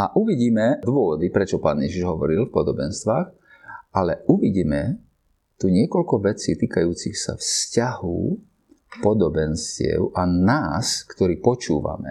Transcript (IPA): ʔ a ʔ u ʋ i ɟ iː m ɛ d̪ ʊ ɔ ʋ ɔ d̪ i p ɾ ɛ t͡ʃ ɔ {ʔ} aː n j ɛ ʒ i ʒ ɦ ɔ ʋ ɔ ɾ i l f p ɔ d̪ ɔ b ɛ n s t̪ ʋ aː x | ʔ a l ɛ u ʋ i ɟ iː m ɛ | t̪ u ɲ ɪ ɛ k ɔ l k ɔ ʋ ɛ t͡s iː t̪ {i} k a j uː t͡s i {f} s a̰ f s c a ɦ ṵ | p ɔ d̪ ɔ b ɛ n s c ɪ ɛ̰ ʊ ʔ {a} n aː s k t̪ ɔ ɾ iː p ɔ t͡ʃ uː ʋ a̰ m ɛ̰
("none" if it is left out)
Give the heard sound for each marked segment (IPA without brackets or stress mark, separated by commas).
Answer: p, iː, x, a